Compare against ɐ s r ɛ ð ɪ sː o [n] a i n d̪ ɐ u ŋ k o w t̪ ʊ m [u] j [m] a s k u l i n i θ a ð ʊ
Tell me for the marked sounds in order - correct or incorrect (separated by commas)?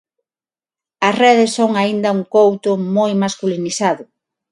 incorrect, incorrect, correct